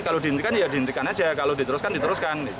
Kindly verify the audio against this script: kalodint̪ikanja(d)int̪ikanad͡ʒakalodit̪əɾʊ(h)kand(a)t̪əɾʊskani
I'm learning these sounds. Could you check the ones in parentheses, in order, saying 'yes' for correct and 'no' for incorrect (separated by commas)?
yes, no, no